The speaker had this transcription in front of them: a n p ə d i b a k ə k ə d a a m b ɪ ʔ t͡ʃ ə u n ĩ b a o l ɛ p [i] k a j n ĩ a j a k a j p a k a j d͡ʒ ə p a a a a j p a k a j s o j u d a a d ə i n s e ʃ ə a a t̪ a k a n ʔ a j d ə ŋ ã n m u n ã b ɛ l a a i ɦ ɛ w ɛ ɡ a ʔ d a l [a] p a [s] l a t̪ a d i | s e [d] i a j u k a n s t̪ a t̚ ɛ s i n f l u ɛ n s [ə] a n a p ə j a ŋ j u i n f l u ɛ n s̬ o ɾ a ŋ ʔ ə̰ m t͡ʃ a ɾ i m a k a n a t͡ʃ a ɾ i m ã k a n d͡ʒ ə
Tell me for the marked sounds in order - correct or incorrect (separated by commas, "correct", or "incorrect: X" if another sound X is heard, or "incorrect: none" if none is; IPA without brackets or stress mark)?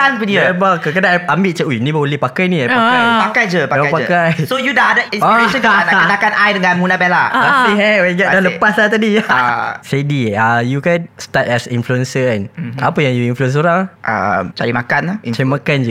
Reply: incorrect: a, incorrect: ə, correct, correct, correct